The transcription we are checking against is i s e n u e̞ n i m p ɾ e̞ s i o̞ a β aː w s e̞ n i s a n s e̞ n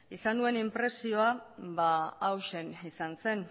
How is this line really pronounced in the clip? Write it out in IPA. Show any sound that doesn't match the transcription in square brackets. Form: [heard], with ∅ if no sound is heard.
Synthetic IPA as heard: i s [a] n u e̞ n i m p ɾ e̞ s i o̞ a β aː w [ʃ] e̞ n i s a n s e̞ n